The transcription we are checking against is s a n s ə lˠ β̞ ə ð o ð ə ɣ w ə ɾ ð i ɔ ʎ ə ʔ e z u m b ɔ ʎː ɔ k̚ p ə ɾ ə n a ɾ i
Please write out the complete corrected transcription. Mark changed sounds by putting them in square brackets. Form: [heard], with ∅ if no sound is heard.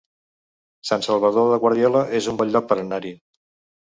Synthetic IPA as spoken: s a n s ə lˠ β̞ ə ð o ð ə ɣ w ə ɾ ð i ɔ [l] ə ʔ e z u m b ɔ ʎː ɔ k̚ p ə ɾ ə n a ɾ i